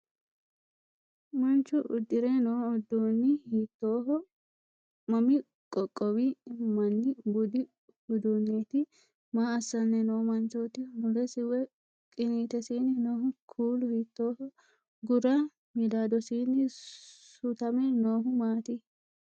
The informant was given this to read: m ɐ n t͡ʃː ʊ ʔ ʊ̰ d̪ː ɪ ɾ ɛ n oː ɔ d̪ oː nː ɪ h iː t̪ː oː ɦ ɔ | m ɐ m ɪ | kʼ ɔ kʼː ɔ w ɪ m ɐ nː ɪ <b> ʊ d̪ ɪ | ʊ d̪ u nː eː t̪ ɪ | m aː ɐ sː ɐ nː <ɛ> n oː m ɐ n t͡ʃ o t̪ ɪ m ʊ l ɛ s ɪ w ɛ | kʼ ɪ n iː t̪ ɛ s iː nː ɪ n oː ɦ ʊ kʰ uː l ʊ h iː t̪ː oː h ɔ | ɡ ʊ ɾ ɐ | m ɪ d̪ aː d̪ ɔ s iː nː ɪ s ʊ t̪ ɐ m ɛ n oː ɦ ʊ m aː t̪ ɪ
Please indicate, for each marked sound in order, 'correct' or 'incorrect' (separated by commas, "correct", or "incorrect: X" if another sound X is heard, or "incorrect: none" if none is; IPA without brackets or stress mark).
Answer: correct, correct